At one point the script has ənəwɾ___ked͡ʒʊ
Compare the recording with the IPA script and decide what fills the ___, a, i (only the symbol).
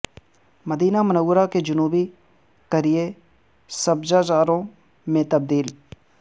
a